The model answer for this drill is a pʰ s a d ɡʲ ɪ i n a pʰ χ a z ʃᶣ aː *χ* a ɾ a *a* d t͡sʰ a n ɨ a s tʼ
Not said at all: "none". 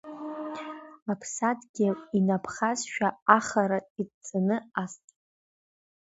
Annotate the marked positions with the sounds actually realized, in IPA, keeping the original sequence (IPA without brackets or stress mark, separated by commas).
χ, i